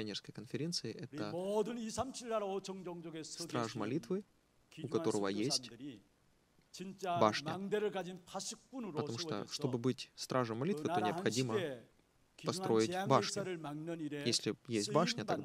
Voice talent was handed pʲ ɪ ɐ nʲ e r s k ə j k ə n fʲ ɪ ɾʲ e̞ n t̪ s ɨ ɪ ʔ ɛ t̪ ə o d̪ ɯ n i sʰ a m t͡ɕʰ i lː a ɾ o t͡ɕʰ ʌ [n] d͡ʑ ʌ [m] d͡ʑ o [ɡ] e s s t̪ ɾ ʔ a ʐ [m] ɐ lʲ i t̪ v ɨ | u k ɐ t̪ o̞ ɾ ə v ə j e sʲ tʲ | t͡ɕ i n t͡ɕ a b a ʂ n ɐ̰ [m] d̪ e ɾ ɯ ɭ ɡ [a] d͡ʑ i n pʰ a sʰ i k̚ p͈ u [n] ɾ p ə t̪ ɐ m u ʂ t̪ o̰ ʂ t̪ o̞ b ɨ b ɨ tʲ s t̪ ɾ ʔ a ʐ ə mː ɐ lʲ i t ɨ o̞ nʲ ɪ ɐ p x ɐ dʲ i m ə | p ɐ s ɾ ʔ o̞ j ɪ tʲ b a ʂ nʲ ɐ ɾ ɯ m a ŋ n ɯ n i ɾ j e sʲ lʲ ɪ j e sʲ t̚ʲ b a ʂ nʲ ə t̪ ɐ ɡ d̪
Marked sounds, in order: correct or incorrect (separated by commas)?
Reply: incorrect, incorrect, correct, correct, incorrect, correct, correct